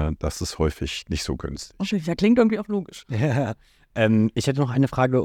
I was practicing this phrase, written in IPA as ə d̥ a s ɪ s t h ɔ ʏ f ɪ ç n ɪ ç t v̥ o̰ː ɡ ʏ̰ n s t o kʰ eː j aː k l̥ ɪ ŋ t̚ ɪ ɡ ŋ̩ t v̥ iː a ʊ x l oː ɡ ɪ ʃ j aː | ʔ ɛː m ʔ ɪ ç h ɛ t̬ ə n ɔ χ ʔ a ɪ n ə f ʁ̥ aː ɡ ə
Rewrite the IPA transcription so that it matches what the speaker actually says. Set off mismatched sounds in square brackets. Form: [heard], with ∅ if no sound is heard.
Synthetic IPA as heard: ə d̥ a s ɪ s t h ɔ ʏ f ɪ ç n ɪ ç t [z̥] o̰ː ɡ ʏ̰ n s t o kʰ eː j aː k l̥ ɪ ŋ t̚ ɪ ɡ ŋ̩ t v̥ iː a ʊ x l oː ɡ ɪ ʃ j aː | ʔ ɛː m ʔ ɪ ç h ɛ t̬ ə n ɔ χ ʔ a ɪ n ə f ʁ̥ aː ɡ ə